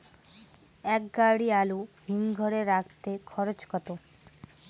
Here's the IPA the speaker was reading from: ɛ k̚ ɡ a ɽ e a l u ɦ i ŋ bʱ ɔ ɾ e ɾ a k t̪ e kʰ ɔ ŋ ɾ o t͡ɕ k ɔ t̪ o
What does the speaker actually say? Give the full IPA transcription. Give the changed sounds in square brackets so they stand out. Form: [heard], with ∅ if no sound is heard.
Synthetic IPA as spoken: ɛ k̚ ɡ a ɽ [i] a l u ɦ i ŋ [ɡʱ] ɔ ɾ e ɾ a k t̪ e kʰ ɔ [∅] ɾ o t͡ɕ k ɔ t̪ o